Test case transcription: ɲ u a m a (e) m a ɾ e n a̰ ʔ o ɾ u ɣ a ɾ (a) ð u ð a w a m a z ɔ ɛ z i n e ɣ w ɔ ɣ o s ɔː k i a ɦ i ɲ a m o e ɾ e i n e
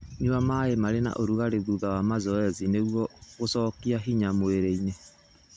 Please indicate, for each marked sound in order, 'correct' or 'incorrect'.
correct, incorrect

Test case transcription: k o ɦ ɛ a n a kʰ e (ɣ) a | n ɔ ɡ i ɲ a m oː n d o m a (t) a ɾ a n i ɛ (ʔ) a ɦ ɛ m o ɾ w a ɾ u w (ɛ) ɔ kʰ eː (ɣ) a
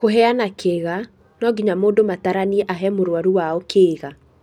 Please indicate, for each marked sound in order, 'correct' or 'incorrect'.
correct, correct, correct, incorrect, correct

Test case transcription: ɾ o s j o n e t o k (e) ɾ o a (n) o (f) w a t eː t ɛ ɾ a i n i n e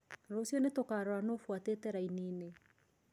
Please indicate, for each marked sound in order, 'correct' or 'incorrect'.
incorrect, correct, correct

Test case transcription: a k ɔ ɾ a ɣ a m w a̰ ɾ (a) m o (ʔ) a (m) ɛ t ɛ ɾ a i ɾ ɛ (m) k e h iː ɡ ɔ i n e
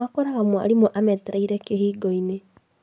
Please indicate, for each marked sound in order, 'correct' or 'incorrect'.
incorrect, correct, correct, incorrect

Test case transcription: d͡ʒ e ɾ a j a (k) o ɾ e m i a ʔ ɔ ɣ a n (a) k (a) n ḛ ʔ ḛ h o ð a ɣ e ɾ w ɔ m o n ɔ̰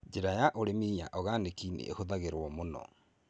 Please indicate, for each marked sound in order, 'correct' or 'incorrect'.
incorrect, incorrect, incorrect

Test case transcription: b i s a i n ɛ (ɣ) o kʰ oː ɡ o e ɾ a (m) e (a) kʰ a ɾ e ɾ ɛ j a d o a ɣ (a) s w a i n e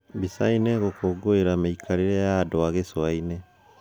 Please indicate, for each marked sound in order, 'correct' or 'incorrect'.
correct, correct, incorrect, incorrect

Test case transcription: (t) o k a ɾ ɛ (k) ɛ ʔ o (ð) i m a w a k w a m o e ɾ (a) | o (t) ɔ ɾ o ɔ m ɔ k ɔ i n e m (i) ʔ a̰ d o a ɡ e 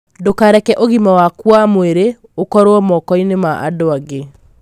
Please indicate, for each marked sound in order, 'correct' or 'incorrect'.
incorrect, correct, incorrect, incorrect, incorrect, incorrect

